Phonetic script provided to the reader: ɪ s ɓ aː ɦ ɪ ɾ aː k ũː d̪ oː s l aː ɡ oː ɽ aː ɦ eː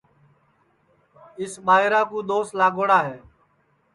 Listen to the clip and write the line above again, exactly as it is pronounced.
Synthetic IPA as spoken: ɪ s ɓ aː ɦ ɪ ɾ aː k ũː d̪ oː s l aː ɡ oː ɽ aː ɦ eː